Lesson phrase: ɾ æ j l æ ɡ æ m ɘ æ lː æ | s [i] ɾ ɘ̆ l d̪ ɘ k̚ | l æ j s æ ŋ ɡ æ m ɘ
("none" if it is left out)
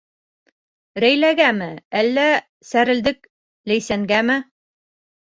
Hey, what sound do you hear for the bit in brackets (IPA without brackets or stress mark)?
æ